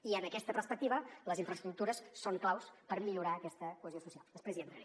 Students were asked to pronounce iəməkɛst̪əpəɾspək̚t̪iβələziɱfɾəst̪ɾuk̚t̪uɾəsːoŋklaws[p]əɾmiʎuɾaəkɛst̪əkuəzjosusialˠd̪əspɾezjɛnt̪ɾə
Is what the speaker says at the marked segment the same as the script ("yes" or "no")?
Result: yes